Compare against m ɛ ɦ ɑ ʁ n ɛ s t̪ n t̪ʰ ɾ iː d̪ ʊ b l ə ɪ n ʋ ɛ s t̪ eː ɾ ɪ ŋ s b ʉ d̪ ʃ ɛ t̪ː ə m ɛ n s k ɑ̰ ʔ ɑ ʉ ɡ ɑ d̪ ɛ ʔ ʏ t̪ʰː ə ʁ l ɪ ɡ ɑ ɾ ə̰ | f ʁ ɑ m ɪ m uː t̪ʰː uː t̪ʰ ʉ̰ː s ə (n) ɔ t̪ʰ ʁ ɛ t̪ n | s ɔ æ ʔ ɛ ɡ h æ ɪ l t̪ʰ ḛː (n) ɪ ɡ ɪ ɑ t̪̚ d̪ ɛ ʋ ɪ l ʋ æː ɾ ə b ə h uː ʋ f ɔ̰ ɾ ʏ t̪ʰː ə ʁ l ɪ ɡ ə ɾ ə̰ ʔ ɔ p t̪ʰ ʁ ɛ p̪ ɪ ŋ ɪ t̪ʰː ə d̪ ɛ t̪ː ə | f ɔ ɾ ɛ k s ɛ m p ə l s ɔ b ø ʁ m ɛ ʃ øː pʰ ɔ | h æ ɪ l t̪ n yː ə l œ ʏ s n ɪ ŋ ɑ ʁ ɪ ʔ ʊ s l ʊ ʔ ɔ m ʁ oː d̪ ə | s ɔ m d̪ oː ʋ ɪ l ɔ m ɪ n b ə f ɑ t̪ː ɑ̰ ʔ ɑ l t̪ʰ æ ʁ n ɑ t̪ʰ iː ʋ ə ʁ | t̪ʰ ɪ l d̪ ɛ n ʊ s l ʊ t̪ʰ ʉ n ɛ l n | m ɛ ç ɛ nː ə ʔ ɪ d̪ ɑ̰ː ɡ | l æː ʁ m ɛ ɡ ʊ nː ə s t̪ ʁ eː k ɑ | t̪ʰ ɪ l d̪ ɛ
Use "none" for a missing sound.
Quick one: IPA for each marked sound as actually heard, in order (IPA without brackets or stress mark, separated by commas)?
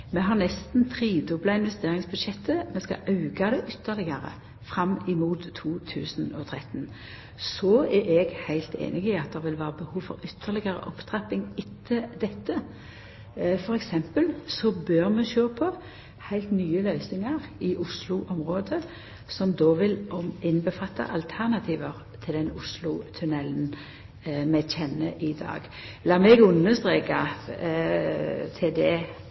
n, n